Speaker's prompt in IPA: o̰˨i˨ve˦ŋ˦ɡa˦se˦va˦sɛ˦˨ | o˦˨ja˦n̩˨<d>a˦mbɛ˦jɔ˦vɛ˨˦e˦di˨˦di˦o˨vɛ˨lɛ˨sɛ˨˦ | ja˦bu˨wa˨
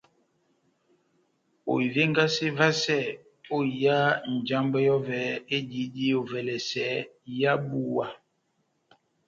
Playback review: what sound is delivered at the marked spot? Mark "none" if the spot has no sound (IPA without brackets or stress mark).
d͡ʒ